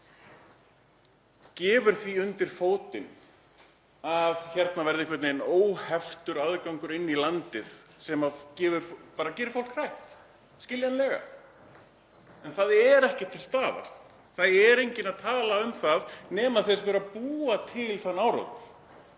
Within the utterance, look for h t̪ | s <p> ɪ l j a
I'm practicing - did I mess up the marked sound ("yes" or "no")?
yes